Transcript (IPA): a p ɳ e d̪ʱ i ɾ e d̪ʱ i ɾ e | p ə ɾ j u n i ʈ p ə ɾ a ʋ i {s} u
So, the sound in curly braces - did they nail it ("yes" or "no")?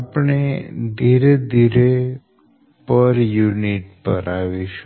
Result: no